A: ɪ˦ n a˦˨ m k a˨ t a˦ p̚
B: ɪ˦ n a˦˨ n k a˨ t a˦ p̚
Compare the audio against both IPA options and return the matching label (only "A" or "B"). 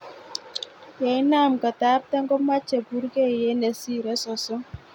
A